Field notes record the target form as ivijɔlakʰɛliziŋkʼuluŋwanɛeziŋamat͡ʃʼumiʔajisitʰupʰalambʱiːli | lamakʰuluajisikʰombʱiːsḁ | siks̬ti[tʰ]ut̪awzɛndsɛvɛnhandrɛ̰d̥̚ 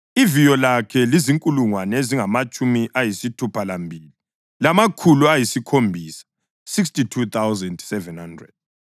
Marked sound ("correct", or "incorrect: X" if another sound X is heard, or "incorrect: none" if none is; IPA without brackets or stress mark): correct